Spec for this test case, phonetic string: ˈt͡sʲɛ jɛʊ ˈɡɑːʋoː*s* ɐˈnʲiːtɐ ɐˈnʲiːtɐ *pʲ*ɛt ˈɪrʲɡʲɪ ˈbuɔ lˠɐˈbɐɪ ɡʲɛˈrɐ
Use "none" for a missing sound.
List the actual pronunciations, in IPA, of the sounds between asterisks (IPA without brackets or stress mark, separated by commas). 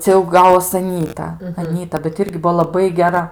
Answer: s, bʲ